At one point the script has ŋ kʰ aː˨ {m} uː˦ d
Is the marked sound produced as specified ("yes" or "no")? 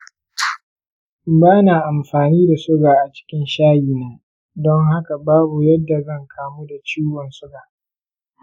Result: yes